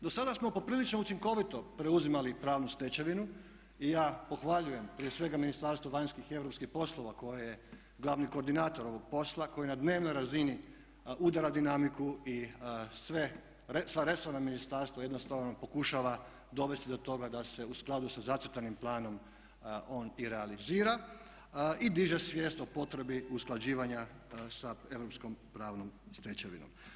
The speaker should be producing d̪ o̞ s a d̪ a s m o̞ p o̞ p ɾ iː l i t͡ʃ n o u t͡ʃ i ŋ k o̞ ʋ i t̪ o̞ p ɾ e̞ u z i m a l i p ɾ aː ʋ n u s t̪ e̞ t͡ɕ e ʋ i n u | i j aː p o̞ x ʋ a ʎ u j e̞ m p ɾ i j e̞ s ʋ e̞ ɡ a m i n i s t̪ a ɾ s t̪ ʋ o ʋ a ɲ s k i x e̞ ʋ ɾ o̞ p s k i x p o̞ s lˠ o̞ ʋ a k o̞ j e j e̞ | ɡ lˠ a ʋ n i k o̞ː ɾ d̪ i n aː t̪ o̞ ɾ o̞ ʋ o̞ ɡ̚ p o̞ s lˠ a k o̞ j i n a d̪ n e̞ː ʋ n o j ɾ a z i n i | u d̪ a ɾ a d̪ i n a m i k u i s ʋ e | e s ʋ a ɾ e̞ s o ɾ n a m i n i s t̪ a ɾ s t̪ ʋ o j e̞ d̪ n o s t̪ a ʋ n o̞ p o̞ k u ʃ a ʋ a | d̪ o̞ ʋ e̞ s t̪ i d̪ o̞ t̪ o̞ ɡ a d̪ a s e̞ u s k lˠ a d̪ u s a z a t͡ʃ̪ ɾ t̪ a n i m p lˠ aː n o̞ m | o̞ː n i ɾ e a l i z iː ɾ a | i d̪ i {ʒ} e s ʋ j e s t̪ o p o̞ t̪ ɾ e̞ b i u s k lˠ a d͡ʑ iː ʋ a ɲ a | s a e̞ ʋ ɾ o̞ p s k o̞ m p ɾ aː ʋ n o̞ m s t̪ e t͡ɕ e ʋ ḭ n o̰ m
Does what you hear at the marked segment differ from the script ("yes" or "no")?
no